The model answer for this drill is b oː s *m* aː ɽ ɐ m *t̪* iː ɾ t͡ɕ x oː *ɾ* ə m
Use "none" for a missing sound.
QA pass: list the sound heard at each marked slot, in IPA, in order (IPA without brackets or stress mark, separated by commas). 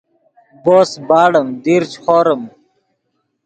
b, d̪, ɾ